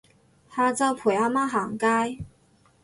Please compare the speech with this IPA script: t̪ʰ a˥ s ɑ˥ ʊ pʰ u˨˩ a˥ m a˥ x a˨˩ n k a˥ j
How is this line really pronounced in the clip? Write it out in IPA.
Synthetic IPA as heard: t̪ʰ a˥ t͡s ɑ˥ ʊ pʰ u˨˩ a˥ m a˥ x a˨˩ ŋ k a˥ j